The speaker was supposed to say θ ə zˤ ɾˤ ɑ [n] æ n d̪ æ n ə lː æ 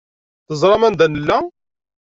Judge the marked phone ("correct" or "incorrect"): incorrect